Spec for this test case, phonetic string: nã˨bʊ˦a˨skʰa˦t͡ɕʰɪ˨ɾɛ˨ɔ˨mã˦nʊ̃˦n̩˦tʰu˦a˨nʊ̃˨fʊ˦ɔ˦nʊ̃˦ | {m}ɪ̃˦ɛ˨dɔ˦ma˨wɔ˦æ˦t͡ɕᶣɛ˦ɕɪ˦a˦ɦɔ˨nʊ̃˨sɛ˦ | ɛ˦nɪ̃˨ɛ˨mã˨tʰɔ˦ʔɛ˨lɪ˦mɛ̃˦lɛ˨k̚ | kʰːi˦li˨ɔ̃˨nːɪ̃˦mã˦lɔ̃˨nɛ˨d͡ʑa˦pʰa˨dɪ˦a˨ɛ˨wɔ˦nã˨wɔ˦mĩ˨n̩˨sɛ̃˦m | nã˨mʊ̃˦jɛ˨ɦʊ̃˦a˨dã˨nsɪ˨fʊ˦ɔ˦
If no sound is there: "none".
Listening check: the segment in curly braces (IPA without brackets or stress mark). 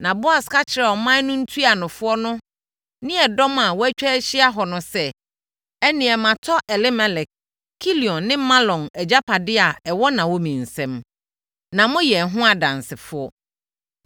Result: n